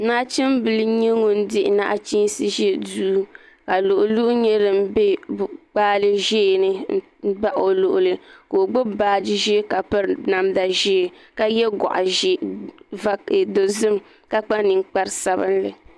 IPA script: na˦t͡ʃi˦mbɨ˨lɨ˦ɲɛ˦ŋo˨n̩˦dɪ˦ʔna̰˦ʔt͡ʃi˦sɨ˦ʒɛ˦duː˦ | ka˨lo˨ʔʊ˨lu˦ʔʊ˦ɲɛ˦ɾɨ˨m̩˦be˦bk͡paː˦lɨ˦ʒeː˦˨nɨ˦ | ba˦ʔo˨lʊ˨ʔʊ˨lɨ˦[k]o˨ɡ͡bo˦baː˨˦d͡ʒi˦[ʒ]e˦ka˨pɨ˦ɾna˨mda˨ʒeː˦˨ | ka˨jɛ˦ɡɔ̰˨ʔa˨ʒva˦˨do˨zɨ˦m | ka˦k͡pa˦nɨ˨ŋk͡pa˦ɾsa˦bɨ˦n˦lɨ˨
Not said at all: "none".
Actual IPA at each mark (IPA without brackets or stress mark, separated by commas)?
k, ʒ